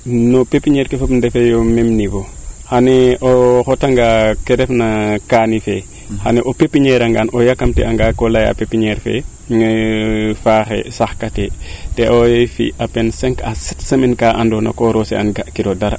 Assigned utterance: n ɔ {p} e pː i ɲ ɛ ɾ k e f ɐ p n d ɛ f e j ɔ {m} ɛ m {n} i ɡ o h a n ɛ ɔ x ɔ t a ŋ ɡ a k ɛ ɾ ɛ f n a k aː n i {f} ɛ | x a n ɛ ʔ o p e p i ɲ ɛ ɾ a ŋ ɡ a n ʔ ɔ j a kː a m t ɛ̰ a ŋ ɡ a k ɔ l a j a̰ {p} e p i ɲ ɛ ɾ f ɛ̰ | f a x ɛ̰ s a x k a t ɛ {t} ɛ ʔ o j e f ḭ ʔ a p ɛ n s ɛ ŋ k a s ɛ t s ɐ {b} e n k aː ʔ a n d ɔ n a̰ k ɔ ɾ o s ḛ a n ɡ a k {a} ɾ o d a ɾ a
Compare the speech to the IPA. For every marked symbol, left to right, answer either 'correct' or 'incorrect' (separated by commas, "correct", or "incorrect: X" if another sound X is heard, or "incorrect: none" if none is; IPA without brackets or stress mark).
correct, correct, correct, correct, correct, correct, incorrect: m, incorrect: i